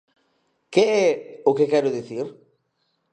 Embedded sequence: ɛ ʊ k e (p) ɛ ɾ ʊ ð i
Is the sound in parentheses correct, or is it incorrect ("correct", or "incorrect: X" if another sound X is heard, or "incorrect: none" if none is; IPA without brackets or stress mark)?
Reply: incorrect: k